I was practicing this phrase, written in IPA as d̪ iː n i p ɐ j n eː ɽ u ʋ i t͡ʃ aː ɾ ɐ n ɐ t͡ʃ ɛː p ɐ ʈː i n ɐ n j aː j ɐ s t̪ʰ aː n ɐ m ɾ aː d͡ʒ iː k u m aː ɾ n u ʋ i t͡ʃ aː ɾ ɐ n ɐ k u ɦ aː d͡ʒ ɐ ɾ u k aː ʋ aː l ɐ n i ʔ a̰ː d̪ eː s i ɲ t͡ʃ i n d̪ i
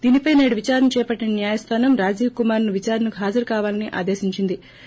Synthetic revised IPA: d̪ iː n i p ɐ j n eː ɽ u ʋ i t͡ʃ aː ɾ ɐ n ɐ t͡ʃ ɛː p ɐ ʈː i n ɐ n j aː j ɐ s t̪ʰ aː n ɐ m ɾ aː d͡ʒ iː k u m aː ɾ n u ʋ i t͡ʃ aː ɾ ɐ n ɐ k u ɦ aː d͡ʒ ɐ ɾ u k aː ʋ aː l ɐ n i ʔ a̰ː d̪ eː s i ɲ t͡ʃ i n d̪ i

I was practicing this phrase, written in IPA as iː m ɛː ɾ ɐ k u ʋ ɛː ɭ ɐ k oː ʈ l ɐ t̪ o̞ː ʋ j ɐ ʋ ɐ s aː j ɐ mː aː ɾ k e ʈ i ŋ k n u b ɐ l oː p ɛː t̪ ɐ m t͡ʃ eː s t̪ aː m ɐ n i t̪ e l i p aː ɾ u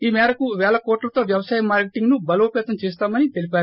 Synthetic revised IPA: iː m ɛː ɾ ɐ k u ʋ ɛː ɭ ɐ k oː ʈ l ɐ t̪ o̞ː ʋ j ɐ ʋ ɐ s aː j ɐ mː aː ɾ k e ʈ i ŋ ɡ n u b ɐ l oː p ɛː t̪ ɐ m t͡ʃ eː s t̪ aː m ɐ n i t̪ e l i p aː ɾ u

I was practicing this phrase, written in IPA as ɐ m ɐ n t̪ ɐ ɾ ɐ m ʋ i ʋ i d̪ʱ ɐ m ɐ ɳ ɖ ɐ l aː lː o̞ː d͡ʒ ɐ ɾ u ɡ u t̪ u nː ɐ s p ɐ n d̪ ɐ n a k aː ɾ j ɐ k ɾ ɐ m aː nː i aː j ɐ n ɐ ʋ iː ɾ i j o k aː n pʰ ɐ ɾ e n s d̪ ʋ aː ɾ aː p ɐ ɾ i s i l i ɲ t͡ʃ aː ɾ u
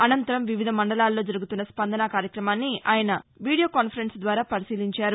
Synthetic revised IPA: ɐ n ɐ n t̪ ɐ ɾ ɐ m ʋ i ʋ i d̪ʱ ɐ m ɐ ɳ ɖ ɐ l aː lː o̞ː d͡ʒ ɐ ɾ u ɡ u t̪ u nː ɐ s p ɐ n d̪ ɐ n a k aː ɾ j ɐ k ɾ ɐ m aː nː i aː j ɐ n ɐ ʋ iː ɽ i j o k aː n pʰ ɐ ɾ e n s d̪ ʋ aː ɾ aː p ɐ ɾ i s iː l i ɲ t͡ʃ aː ɾ u

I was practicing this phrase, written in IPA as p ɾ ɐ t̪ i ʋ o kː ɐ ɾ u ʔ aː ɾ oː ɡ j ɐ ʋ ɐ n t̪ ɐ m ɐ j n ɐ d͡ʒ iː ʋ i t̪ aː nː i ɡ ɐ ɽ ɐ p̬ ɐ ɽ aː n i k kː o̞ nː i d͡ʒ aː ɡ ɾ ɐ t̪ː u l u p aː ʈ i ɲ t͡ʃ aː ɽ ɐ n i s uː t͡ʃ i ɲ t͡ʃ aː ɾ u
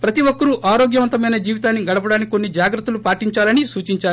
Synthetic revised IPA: p ɾ ɐ t̪ i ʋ o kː ɐ ɾ u ʔ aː ɾ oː ɡ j ɐ ʋ ɐ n t̪ ɐ m ɐ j n ɐ d͡ʒ iː ʋ i t̪ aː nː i ɡ ɐ ɽ ɐ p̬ ɐ ɽ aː n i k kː o̞ nː i d͡ʒ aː ɡ ɾ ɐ t̪ː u l u p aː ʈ i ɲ t͡ʃ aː l ɐ n i s uː t͡ʃ i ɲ t͡ʃ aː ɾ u

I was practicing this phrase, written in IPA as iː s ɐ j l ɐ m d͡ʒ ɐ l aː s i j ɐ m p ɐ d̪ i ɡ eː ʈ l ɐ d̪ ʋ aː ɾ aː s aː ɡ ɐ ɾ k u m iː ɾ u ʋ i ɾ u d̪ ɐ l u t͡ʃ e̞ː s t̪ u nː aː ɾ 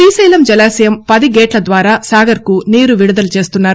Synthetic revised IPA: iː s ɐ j l ɐ m d͡ʒ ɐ l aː s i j ɐ m p ɐ d̪ i ɡ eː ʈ l ɐ d̪ ʋ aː ɾ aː s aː ɡ ɐ ɾ k u n iː ɾ u ʋ i ɽ u d̪ ɐ l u t͡ʃ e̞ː s t̪ u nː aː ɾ

